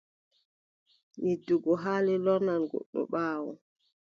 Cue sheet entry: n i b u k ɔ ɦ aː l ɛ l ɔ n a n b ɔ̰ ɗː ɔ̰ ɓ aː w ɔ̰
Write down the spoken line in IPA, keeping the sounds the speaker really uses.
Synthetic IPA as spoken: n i d u ɡ ɔ ɦ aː l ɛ l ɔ n a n ɡ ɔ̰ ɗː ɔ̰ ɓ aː w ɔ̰